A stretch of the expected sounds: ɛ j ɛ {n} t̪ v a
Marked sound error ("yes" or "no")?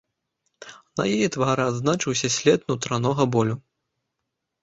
yes